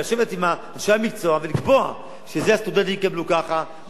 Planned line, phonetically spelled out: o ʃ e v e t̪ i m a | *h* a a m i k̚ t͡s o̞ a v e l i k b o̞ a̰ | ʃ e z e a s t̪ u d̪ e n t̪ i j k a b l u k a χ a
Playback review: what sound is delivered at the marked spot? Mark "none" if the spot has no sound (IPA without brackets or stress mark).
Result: ʃ